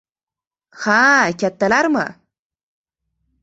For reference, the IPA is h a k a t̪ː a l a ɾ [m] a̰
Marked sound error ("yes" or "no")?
no